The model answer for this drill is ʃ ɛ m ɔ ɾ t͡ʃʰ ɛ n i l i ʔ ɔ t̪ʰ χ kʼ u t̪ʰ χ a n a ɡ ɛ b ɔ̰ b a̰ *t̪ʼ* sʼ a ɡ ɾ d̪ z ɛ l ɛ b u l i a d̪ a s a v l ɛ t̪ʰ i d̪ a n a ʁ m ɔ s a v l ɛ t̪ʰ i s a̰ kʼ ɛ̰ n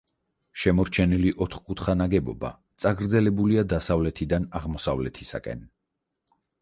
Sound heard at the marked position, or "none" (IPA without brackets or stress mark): t̪